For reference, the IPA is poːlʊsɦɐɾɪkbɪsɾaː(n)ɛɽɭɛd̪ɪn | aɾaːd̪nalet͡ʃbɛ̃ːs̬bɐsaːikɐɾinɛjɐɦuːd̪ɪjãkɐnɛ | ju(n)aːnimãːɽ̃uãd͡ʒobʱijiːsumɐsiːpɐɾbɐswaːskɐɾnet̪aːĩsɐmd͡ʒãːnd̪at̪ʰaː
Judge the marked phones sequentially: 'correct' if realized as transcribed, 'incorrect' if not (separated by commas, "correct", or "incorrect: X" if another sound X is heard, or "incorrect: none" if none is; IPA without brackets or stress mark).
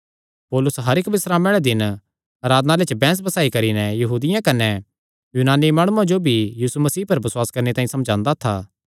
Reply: incorrect: m, correct